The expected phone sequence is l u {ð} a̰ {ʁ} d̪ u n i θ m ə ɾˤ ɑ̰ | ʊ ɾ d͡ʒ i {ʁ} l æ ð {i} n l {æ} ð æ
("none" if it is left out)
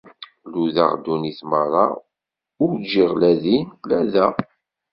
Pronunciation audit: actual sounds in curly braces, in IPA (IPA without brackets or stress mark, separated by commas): ð, ʁ, ʁ, i, æ